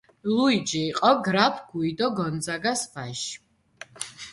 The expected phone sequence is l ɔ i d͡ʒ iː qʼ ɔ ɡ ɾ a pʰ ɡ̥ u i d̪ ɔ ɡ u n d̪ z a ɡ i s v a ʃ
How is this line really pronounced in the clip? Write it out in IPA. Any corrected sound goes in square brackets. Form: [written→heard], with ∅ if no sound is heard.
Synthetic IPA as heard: l [ɔ→u] i d͡ʒ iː qʼ ɔ ɡ ɾ a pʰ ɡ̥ u i d̪ ɔ ɡ [u→ɔ] n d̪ z a ɡ [i→a] s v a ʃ